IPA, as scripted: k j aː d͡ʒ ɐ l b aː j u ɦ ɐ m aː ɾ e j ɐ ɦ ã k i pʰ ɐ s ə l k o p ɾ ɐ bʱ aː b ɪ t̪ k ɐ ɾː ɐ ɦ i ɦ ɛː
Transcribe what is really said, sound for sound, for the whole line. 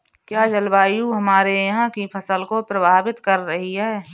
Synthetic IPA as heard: k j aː d͡ʒ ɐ l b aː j u ɦ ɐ m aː ɾ e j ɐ ɦ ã k i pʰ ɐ s ə l k o p ɾ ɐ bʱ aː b ɪ t̪ k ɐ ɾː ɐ ɦ i ɦ ɛː